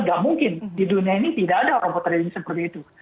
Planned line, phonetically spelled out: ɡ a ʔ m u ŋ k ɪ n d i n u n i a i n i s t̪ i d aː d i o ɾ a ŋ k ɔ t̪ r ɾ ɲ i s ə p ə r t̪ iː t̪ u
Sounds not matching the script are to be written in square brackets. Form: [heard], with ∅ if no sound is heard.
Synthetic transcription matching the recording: ɡ a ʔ m u ŋ k ɪ n d i [d] u n i a i n i [∅] t̪ i d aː d [a] o ɾ a ŋ [p] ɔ t̪ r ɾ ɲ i s ə p ə r t̪ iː t̪ u